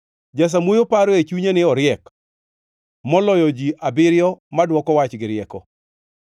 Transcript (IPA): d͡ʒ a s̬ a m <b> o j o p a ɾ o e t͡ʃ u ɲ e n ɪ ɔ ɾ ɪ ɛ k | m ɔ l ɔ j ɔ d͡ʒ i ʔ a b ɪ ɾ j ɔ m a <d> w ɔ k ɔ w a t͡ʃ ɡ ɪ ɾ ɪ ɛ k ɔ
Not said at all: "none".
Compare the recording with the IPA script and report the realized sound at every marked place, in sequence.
w, d

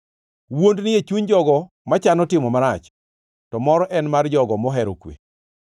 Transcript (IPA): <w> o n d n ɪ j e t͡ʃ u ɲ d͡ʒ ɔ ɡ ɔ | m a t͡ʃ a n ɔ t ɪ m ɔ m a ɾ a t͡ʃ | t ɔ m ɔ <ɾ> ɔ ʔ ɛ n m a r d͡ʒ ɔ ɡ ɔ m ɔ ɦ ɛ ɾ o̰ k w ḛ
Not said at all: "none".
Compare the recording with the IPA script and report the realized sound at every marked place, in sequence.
w, ɾ

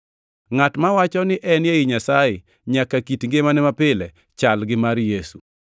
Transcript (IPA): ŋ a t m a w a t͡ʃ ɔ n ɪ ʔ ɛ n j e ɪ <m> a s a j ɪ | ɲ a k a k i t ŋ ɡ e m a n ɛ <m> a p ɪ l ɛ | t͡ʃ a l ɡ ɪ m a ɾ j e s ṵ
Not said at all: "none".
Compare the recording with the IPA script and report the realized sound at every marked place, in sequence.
ɲ, m

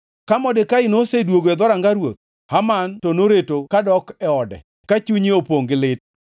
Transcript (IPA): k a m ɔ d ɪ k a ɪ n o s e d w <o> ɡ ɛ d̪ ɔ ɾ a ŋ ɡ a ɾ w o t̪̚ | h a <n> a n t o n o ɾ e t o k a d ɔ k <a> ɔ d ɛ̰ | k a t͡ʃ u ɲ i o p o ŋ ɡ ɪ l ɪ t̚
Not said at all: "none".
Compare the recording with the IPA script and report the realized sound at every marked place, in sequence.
o, m, ɛ

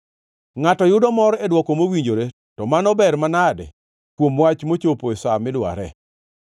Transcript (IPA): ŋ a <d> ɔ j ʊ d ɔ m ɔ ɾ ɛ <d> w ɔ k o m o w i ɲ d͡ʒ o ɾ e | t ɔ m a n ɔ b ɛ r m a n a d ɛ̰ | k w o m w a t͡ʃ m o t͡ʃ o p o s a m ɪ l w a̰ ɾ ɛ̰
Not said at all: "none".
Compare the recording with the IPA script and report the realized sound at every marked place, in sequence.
t, d

